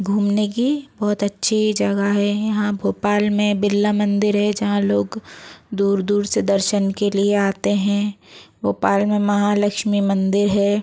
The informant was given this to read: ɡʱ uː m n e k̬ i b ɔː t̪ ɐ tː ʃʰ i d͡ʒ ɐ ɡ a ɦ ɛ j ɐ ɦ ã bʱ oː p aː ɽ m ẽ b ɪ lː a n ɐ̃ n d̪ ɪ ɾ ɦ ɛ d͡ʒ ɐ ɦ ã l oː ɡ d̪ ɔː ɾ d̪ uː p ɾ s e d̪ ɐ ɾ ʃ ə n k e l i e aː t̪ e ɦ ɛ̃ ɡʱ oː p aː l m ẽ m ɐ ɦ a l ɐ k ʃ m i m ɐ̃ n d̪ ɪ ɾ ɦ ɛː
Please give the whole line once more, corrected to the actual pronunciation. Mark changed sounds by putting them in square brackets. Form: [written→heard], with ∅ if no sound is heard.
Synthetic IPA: ɡʱ uː m n e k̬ i b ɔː t̪ ɐ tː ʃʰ i d͡ʒ ɐ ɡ a ɦ ɛ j ɐ ɦ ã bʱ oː p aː [ɽ→l] m ẽ b ɪ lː a [n→m] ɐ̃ n d̪ ɪ ɾ ɦ ɛ d͡ʒ ɐ ɦ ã l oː ɡ d̪ [ɔː→uː] ɾ d̪ uː [p→∅] ɾ s e d̪ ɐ ɾ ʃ ə n k e l i e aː t̪ e ɦ ɛ̃ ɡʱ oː p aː l m ẽ m ɐ ɦ a l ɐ k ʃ m i m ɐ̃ n d̪ ɪ ɾ ɦ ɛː